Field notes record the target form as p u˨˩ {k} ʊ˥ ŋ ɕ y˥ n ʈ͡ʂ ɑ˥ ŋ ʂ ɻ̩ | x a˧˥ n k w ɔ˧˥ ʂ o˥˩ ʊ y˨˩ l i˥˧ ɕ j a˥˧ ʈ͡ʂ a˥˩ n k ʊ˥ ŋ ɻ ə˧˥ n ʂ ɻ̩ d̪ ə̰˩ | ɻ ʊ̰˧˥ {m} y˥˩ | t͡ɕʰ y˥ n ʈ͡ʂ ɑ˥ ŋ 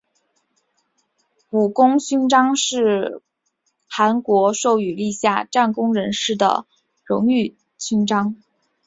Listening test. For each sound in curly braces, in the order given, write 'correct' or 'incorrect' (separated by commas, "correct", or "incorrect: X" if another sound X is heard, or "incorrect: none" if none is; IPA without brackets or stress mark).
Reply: correct, incorrect: ŋ